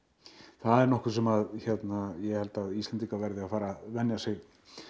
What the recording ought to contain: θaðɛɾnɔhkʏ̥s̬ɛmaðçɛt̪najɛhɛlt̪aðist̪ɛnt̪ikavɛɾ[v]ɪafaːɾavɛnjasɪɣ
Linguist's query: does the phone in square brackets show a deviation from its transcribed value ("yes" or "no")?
yes